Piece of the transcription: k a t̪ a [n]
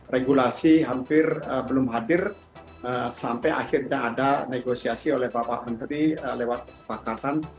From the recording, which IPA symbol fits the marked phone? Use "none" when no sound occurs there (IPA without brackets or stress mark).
n